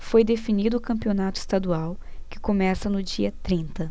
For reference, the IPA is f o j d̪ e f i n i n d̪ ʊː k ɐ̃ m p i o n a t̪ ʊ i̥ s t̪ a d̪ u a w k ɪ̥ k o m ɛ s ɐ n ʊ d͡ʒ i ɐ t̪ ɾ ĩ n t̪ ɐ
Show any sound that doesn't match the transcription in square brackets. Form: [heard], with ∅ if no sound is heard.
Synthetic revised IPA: f o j d̪ e f i n i [∅] d̪ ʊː k ɐ̃ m p i o n a t̪ ʊ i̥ s t̪ a d̪ u a w k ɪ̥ k o m ɛ s ɐ n ʊ d͡ʒ i ɐ t̪ ɾ ĩ n t̪ ɐ